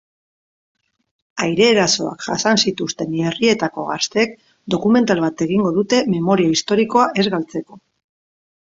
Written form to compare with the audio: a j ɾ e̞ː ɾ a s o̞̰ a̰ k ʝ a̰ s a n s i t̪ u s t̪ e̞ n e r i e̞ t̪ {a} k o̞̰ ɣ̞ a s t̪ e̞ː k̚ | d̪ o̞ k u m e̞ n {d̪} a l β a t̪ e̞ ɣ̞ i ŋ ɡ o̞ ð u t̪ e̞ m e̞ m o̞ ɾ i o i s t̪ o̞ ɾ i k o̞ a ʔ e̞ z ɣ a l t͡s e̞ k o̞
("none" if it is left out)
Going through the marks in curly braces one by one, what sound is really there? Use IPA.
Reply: a, t̪

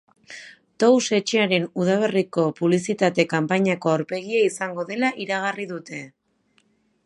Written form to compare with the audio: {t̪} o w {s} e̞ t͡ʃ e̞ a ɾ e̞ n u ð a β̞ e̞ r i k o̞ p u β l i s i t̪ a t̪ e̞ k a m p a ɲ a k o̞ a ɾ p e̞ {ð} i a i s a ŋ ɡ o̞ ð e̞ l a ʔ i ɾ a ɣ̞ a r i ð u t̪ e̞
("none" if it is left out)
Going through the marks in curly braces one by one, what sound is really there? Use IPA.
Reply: t̪, s, ɣ

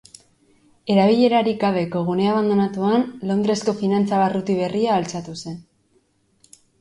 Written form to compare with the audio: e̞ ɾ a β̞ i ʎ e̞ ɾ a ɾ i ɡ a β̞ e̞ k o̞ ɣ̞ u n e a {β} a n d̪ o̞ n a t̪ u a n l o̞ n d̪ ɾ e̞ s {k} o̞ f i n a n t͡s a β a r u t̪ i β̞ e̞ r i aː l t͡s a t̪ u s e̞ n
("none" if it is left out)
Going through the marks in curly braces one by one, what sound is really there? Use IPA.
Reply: β, k

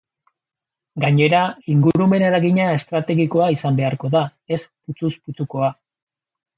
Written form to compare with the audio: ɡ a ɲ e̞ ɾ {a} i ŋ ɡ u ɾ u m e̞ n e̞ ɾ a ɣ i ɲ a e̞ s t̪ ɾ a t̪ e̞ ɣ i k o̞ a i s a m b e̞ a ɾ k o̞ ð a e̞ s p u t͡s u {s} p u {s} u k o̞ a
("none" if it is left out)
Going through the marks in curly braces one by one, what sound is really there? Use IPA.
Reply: a, s, t͡s

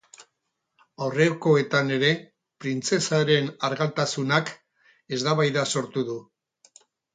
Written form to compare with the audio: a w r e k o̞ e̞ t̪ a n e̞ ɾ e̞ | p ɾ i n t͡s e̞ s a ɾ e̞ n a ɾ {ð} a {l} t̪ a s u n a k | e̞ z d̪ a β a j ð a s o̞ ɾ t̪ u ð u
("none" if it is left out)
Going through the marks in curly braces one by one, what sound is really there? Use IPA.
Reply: ɣ, l

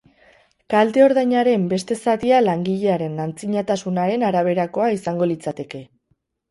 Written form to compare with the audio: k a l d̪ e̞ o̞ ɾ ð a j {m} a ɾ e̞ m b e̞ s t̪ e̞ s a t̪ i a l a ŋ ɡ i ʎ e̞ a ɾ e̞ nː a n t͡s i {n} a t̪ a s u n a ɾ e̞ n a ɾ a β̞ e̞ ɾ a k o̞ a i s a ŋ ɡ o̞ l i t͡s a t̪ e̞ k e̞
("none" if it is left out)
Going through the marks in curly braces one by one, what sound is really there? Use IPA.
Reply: ɲ, ɲ

